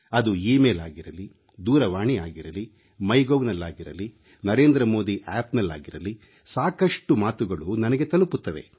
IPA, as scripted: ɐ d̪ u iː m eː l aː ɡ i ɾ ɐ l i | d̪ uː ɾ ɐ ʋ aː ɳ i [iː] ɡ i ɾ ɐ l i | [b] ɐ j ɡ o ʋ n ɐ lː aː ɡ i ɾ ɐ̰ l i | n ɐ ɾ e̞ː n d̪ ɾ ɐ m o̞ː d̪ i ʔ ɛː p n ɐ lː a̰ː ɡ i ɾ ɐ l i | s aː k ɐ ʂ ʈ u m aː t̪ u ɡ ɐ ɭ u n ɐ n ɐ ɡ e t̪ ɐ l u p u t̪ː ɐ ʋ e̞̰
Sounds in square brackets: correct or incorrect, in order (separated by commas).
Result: incorrect, incorrect